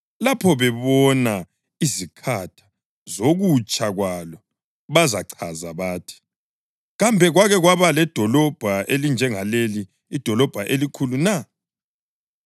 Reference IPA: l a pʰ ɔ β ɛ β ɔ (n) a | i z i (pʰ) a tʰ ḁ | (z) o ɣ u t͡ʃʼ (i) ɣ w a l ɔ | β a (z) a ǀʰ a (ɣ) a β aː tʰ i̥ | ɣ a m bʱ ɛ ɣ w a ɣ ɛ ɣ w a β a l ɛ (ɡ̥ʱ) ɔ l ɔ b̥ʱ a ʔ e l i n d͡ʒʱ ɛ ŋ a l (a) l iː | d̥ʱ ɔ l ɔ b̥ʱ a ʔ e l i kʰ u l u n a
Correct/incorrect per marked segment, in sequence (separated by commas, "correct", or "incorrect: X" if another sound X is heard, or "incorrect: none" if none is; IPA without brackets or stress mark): correct, incorrect: kʰ, correct, incorrect: a, correct, incorrect: z, incorrect: d̥ʱ, incorrect: e